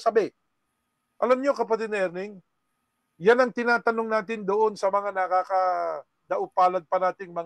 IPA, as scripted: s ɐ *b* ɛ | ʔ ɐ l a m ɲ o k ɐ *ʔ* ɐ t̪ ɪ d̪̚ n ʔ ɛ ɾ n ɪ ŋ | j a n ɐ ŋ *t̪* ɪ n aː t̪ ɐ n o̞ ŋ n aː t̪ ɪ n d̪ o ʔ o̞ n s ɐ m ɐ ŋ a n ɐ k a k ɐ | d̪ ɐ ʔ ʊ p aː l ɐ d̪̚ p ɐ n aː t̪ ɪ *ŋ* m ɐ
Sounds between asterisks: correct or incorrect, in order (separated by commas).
correct, incorrect, correct, correct